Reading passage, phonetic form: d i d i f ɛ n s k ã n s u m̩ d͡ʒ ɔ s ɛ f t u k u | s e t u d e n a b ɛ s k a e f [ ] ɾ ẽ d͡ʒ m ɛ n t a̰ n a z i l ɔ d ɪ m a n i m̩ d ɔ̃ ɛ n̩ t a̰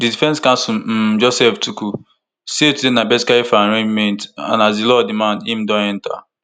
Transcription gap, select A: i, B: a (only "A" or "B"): B